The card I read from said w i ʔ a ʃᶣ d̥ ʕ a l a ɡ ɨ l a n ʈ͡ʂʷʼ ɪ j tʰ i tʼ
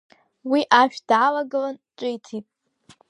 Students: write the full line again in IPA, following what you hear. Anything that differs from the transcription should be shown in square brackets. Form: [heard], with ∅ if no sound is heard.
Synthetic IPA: w i ʔ a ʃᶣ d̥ ʕ a l a ɡ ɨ l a n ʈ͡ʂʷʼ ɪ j tʰ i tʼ